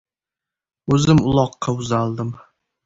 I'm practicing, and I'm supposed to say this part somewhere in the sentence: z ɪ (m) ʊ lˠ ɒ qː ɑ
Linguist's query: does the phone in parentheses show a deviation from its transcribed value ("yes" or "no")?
no